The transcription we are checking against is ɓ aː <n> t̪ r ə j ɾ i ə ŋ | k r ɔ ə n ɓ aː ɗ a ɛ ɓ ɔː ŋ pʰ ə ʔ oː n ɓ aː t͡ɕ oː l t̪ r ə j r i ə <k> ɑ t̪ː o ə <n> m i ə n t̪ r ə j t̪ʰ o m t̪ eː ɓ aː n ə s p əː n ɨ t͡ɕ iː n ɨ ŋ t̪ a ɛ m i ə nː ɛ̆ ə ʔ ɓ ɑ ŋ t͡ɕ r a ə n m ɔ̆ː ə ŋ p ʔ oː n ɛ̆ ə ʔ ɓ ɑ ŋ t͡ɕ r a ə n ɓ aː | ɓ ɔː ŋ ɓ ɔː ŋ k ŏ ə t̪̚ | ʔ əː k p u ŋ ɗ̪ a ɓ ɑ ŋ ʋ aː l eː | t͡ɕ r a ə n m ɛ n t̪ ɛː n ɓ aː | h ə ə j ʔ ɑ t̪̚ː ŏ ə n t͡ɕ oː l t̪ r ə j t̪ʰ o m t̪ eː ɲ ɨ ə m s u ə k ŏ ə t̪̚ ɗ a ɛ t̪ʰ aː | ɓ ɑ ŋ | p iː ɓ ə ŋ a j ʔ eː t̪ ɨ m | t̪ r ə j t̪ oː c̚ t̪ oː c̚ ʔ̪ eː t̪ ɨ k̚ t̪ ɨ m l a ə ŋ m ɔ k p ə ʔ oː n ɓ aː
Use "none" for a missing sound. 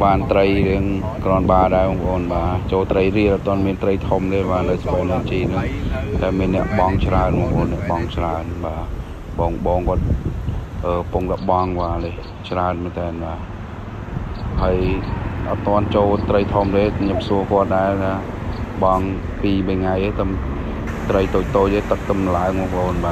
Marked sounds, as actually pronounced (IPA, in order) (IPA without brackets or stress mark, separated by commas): n, ʔ, n